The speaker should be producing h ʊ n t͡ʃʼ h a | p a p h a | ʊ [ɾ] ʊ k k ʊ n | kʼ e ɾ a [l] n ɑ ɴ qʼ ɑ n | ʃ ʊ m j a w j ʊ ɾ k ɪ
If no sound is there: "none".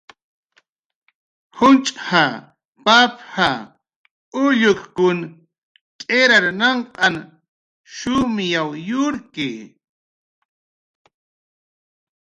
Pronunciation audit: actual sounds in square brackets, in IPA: ʎ, ɾ

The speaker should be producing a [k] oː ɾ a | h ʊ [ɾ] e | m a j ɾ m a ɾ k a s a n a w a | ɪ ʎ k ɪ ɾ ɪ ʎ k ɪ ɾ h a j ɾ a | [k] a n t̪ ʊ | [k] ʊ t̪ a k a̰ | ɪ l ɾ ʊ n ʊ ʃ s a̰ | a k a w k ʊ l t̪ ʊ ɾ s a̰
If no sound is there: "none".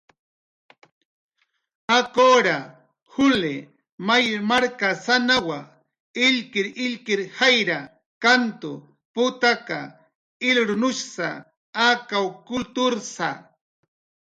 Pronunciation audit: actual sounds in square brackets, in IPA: k, l, k, p

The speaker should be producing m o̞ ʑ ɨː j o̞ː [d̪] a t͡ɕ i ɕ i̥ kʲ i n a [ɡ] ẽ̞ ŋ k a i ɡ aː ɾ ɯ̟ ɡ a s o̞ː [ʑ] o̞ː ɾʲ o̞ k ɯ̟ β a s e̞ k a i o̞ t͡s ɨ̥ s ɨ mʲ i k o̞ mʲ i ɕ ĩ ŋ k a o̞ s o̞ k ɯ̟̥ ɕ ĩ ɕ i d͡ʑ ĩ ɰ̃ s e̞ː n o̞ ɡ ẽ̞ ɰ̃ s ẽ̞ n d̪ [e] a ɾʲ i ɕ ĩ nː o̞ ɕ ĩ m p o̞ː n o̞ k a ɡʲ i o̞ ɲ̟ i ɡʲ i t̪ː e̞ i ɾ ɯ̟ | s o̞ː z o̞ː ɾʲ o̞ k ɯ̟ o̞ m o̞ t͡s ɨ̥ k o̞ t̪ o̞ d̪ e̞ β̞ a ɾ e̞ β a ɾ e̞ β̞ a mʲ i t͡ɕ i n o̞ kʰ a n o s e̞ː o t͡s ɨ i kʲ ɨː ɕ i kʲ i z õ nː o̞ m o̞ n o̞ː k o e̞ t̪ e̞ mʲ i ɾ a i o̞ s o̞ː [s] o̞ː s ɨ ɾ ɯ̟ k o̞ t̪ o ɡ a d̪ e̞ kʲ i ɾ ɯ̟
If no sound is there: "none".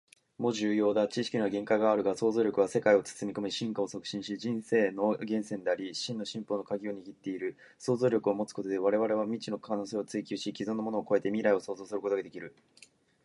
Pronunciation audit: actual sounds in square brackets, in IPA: d̪, ɡ, z, e, z

